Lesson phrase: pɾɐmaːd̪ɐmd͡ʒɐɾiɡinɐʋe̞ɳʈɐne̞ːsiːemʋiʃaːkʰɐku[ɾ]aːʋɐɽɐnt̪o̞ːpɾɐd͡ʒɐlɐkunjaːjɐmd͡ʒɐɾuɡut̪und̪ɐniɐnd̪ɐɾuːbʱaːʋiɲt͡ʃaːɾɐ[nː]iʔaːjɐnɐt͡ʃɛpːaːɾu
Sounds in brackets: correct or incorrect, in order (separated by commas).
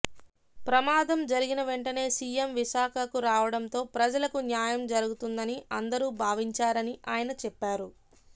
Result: correct, incorrect